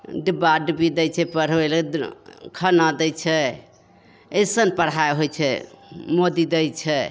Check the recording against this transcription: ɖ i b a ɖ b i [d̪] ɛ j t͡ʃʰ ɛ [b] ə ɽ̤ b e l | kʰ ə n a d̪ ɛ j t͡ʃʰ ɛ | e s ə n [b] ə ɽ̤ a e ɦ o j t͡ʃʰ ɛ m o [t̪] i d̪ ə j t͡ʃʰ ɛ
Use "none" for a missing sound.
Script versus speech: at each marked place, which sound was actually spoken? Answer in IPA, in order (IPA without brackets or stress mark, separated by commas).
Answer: d̪, p, p, d̪